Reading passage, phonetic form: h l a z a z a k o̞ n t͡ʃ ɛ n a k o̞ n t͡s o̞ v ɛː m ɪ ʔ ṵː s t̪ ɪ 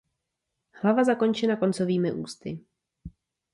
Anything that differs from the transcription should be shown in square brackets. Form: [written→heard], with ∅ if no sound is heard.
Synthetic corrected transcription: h l a [z→v] a z a k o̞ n t͡ʃ ɛ n a k o̞ n t͡s o̞ v [ɛː→iː] m ɪ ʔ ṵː s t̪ ɪ